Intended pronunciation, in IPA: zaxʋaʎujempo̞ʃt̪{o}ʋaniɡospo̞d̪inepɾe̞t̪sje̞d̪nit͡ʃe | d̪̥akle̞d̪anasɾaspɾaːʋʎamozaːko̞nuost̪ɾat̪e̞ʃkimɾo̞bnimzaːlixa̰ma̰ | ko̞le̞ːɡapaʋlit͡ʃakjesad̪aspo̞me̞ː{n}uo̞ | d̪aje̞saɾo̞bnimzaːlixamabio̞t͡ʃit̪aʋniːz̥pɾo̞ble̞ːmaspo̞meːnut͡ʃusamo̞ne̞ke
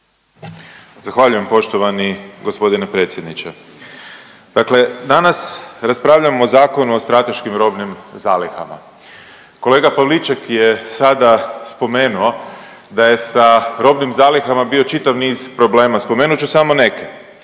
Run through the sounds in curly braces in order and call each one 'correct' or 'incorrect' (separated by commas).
correct, correct